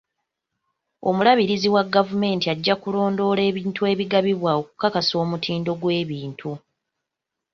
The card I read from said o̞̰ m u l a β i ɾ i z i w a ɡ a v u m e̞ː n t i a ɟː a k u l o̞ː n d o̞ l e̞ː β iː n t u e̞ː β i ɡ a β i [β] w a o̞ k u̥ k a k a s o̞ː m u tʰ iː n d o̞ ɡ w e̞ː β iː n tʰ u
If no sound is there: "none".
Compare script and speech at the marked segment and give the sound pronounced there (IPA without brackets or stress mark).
β